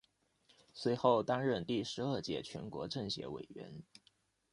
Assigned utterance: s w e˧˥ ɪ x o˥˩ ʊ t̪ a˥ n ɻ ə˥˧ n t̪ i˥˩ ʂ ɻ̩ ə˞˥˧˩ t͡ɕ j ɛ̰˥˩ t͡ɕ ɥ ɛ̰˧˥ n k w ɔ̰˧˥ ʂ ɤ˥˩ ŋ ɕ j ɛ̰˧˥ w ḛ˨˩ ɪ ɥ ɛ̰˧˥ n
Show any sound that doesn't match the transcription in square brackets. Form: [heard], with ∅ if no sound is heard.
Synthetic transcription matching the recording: s w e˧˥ ɪ x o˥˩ ʊ t̪ a˥ n ɻ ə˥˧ n t̪ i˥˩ ʂ ɻ̩ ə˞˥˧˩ t͡ɕ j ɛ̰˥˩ [t͡ɕʰ] ɥ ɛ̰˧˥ n k w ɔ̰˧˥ [ʈ͡ʂ] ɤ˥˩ ŋ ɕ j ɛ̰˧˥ w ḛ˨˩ ɪ ɥ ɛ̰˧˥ n